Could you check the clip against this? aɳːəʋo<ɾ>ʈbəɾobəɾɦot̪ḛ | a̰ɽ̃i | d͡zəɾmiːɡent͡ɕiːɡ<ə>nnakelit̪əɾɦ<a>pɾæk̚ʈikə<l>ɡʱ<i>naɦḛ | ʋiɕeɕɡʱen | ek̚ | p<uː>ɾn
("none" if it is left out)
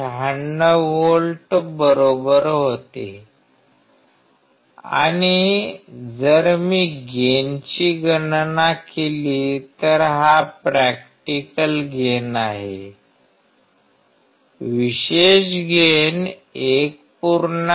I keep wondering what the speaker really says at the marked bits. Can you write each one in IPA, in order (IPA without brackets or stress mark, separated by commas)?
l, ə, a, l, e, u